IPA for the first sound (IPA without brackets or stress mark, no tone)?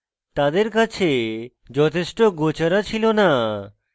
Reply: t̪